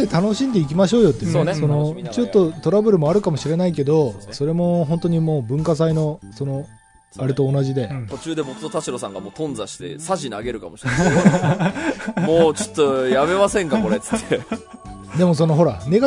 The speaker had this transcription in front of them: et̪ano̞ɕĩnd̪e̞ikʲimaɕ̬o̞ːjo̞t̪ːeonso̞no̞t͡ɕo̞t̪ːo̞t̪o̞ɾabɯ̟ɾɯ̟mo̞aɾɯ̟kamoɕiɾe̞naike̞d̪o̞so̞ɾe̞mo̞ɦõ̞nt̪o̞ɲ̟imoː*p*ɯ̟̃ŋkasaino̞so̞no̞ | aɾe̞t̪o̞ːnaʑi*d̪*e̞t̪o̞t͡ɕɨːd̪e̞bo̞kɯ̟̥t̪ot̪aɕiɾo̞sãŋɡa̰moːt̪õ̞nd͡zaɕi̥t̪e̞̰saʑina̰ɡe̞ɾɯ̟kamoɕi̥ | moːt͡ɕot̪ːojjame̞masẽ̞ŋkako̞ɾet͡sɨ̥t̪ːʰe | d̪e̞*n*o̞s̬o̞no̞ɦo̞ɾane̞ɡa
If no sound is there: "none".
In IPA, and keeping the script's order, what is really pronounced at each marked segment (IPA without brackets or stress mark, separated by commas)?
b, d̪, m